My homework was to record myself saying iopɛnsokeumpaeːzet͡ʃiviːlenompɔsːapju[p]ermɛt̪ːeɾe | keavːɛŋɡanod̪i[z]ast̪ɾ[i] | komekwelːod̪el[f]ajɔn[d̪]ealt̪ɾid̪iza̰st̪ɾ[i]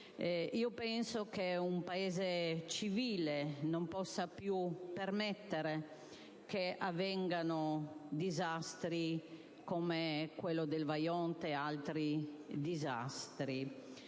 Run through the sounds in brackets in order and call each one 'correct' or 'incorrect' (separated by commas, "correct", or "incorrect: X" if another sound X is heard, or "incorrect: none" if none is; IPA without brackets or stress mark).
correct, correct, correct, incorrect: v, incorrect: t̪, correct